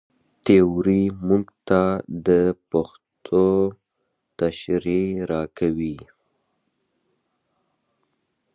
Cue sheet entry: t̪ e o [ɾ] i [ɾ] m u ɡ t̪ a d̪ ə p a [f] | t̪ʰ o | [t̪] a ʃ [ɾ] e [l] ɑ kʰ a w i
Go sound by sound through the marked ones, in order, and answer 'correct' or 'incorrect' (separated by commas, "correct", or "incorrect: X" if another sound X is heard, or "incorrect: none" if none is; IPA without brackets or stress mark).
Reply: correct, incorrect: none, incorrect: x, correct, correct, incorrect: ɾ